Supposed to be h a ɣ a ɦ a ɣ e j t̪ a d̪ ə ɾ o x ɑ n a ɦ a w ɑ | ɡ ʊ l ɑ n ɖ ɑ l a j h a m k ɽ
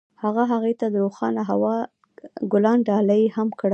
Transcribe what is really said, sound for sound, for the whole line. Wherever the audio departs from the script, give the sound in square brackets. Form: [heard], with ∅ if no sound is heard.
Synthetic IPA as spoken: h a ɣ a ɦ a ɣ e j t̪ a d̪ ə ɾ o x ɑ n a ɦ a w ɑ | ɡ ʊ l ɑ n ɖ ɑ l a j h a m k ɽ